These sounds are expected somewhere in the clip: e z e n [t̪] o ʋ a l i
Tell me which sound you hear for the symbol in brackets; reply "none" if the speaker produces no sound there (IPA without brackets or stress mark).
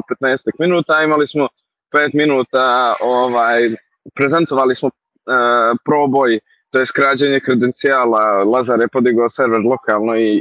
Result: t̪